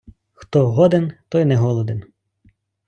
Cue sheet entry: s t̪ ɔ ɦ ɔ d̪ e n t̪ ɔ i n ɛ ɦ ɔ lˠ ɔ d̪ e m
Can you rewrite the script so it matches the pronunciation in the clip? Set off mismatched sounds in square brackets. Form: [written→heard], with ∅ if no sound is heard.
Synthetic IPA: [s→x] t̪ ɔ ɦ ɔ d̪ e n t̪ ɔ [i→j] n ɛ ɦ ɔ lˠ ɔ d̪ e [m→n]